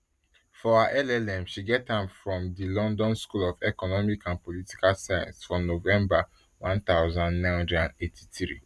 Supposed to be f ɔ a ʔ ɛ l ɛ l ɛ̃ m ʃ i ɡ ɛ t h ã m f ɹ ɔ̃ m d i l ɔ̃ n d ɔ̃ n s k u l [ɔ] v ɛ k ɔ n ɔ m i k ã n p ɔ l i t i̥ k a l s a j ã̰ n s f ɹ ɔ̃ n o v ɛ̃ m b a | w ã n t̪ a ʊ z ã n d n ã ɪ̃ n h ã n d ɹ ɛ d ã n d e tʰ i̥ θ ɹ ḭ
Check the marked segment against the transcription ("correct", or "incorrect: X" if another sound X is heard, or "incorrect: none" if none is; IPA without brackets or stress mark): correct